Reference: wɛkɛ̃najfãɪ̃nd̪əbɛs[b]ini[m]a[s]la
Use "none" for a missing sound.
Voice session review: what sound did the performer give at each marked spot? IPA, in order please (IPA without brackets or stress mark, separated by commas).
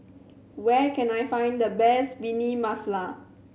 b, m, s